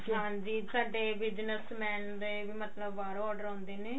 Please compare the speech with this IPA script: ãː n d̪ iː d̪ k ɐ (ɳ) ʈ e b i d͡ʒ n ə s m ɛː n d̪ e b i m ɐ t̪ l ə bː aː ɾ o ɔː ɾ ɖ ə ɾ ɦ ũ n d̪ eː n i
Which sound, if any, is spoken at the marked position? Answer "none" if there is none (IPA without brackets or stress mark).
ɳ